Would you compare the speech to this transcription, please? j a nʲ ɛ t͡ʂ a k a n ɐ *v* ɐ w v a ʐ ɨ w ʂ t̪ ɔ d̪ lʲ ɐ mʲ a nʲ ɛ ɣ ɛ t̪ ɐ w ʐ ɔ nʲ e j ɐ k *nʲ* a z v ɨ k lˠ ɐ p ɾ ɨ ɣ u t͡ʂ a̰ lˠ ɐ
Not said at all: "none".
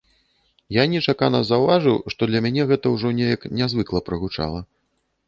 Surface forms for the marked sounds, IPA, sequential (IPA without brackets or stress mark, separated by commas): z, nʲ